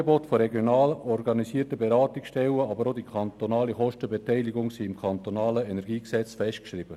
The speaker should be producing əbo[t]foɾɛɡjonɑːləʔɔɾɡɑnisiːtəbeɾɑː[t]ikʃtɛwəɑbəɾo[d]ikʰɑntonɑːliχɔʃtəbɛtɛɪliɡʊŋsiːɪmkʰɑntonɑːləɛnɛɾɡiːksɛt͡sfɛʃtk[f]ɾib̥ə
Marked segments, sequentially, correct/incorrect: correct, correct, correct, incorrect: ʃ

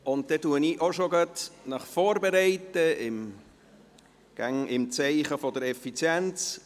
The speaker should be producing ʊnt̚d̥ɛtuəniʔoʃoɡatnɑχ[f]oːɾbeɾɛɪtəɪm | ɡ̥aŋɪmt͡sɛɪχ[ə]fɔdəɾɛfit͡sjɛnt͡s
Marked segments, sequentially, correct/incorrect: correct, correct

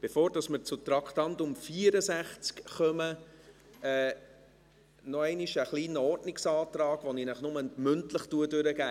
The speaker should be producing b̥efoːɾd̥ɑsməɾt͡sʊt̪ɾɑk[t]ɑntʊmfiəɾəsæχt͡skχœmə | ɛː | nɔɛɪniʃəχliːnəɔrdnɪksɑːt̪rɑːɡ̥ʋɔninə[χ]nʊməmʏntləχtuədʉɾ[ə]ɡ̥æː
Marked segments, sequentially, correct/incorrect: correct, correct, correct

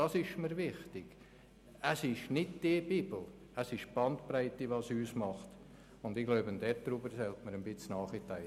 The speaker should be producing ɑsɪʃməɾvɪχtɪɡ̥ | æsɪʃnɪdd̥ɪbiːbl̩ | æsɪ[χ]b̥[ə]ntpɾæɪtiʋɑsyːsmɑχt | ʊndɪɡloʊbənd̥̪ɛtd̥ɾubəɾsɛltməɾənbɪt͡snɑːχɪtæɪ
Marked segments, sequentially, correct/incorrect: incorrect: ʃ, incorrect: ɑ

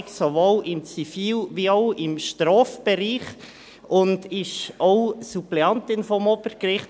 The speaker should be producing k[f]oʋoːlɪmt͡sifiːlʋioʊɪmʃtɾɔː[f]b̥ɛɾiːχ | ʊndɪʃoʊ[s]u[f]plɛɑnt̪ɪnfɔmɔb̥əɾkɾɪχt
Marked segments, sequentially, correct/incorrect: incorrect: s, correct, correct, incorrect: none

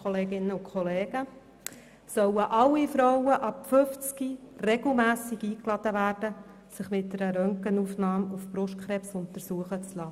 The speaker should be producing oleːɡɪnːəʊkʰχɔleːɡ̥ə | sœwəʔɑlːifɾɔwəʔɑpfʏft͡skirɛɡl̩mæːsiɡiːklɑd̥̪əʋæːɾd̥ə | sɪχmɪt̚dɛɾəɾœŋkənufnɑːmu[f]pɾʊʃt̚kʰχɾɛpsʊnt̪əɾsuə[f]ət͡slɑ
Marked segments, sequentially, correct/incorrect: correct, incorrect: χ

